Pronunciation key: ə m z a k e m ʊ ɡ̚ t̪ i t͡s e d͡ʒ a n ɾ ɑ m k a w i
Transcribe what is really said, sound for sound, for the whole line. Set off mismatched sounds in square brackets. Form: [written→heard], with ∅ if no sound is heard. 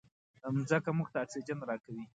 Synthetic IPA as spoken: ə m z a k [e→a] m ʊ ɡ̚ t̪ [i→a] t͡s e d͡ʒ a n ɾ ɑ [m→∅] k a w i